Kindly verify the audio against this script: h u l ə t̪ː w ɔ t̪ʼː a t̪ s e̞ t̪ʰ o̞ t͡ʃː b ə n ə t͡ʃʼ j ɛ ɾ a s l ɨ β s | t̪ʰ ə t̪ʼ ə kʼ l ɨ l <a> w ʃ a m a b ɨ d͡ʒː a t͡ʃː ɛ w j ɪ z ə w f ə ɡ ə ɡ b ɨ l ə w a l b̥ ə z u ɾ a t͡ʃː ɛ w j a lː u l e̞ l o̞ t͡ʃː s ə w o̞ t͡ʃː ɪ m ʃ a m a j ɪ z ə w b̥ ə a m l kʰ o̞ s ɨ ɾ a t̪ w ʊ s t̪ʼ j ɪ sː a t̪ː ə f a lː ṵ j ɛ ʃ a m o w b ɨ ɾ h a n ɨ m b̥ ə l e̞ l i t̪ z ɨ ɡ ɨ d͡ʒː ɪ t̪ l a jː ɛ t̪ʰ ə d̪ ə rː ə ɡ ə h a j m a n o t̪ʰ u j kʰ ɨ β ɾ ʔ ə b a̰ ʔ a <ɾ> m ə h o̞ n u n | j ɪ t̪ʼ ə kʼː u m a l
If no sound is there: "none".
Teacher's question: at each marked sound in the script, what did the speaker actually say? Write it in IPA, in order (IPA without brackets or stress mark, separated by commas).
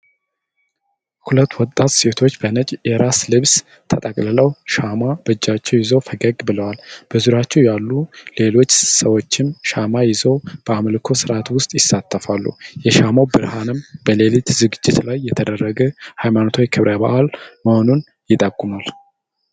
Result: ə, l